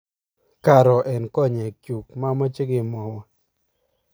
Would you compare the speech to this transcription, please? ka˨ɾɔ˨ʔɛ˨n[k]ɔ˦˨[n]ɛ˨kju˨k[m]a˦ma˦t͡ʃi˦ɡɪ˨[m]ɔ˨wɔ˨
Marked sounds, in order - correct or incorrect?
correct, incorrect: ɲ, correct, correct

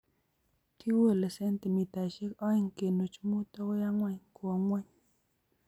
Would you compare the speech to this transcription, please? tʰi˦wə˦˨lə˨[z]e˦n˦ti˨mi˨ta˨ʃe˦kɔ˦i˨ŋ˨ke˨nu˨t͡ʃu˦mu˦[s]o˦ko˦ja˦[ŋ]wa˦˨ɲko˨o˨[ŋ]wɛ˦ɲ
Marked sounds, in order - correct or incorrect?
incorrect: s, incorrect: t, correct, correct

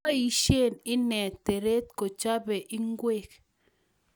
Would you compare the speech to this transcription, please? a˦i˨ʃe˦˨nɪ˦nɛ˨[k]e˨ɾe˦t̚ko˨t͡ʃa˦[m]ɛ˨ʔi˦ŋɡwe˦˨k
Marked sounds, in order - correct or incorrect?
incorrect: t, incorrect: b

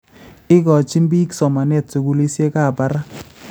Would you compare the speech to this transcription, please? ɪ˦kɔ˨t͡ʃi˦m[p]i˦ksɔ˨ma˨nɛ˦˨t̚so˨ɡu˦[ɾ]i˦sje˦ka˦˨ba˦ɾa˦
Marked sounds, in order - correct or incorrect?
incorrect: b, incorrect: l

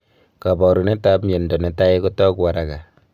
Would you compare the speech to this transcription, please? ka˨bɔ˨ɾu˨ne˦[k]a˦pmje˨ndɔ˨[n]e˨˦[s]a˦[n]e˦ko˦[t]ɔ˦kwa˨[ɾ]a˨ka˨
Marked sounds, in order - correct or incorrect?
incorrect: t, correct, incorrect: t, incorrect: none, correct, correct

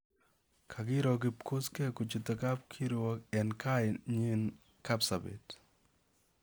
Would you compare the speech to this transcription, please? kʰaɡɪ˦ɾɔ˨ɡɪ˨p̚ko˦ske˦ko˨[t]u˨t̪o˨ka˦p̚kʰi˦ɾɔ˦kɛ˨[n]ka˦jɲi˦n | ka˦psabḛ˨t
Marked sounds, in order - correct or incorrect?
incorrect: t͡ʃ, correct

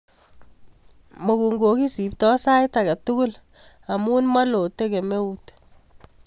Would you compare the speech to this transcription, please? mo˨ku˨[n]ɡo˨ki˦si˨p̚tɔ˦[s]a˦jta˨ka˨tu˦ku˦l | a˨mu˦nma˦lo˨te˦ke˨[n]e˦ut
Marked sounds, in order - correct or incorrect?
incorrect: ŋ, correct, incorrect: m

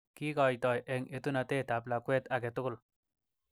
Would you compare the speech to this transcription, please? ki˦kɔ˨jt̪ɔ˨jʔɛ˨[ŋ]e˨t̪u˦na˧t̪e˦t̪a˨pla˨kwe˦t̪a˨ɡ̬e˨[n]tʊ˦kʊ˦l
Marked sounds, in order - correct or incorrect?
correct, incorrect: none

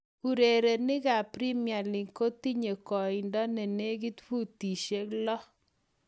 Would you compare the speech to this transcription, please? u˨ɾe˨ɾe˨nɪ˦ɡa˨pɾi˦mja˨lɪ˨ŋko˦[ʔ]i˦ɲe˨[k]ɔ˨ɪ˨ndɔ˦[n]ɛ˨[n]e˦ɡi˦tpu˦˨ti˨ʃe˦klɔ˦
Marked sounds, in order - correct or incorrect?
incorrect: t, correct, correct, correct

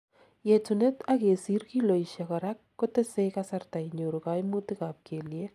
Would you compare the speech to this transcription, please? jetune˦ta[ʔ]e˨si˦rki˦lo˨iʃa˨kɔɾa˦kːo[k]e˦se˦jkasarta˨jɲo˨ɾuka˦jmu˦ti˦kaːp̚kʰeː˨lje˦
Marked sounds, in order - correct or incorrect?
incorrect: k, incorrect: t

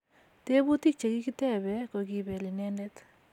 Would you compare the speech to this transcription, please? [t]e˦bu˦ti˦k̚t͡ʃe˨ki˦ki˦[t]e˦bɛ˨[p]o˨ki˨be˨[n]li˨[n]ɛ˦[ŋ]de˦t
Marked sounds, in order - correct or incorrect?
correct, correct, incorrect: k, incorrect: none, correct, incorrect: n

